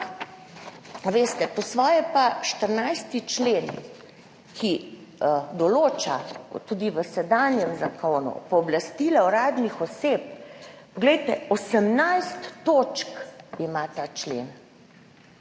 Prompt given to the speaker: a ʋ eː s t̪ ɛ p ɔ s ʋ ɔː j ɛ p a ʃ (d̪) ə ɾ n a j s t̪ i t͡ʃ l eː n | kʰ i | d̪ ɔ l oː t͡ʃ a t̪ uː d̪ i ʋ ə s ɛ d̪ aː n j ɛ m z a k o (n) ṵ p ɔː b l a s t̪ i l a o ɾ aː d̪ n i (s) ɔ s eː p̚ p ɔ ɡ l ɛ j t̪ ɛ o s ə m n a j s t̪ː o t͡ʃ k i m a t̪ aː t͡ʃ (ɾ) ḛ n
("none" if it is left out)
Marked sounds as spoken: t̪, n, x, l

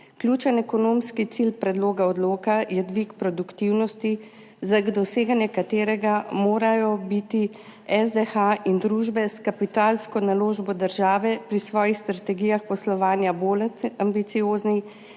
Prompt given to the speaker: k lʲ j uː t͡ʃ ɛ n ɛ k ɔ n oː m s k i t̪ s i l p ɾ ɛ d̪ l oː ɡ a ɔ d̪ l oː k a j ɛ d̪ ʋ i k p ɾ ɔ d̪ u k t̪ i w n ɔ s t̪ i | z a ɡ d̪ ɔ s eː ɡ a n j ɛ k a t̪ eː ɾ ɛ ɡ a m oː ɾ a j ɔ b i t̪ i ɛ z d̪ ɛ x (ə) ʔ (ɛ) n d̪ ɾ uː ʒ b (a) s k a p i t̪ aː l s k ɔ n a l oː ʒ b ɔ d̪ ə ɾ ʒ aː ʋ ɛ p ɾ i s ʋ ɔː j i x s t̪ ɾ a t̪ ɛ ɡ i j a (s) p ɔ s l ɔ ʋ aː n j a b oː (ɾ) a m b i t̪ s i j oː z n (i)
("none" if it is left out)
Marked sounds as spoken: a, i, ɛ, x, l, i

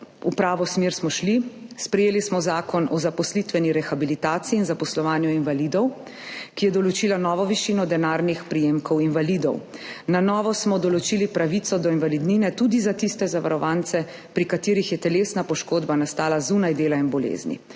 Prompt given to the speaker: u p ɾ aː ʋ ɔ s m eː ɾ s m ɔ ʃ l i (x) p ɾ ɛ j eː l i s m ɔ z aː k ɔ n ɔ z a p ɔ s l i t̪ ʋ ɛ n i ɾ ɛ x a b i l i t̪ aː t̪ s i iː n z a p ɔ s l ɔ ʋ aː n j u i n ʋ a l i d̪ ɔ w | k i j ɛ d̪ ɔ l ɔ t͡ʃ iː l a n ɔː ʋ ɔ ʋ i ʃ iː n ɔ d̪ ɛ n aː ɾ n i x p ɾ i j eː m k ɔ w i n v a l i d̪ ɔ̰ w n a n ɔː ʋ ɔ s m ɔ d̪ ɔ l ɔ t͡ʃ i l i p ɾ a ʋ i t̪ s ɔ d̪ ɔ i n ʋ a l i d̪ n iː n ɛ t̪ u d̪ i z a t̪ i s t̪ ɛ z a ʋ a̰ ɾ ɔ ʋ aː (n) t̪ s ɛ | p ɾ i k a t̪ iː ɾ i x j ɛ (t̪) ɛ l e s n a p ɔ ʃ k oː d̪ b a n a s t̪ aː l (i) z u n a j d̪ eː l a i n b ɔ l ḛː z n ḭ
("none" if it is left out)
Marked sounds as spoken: s, n, t̪, a

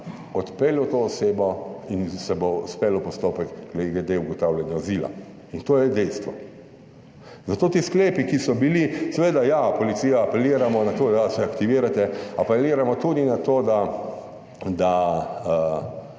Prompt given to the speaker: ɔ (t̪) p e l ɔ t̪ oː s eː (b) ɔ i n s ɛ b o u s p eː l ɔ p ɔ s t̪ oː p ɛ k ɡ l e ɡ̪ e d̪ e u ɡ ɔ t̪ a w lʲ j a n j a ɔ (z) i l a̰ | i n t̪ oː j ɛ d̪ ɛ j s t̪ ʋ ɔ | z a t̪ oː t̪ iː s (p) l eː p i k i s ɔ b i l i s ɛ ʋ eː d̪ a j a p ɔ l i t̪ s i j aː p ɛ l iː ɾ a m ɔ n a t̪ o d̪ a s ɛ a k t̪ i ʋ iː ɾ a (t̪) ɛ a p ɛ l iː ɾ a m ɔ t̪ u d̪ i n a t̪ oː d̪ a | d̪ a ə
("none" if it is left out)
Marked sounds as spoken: t̪, b, z, k, t̪

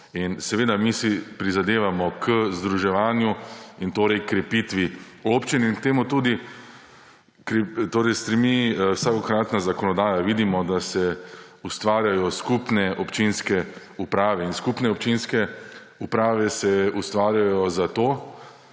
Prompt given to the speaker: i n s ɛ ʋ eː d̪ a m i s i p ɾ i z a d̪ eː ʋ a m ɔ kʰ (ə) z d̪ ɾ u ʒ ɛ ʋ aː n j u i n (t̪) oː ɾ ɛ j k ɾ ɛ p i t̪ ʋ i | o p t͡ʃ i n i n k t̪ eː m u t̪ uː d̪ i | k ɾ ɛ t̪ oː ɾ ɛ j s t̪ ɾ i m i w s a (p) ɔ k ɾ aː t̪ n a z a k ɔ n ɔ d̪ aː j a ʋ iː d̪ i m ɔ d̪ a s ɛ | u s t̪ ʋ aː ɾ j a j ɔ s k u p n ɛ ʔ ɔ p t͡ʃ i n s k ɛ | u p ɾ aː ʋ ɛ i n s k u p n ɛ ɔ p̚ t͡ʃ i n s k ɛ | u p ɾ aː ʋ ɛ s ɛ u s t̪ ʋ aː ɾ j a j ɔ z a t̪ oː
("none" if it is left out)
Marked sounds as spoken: ə, t̪, k

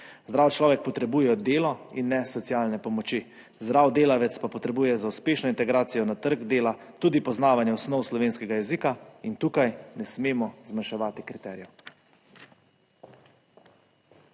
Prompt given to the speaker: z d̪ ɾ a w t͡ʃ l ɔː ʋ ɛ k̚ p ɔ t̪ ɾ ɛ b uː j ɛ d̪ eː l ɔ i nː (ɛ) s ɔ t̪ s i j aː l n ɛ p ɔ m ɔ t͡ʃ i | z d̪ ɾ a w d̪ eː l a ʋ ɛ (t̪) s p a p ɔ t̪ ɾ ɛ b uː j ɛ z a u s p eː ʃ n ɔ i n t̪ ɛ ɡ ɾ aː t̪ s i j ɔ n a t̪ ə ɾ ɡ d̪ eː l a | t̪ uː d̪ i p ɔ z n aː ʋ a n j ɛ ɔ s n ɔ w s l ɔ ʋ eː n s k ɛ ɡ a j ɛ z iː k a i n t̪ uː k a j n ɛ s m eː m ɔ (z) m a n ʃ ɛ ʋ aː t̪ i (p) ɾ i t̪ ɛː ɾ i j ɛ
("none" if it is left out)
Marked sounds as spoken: ɛ, t̪, z, k

